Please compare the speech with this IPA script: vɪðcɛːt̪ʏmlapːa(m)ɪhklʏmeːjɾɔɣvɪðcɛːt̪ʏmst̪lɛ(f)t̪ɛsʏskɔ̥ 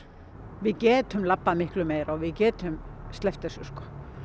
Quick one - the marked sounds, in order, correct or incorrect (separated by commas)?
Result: correct, correct